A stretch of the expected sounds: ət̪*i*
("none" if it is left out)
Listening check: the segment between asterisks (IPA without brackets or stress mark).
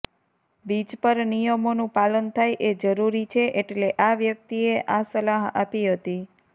i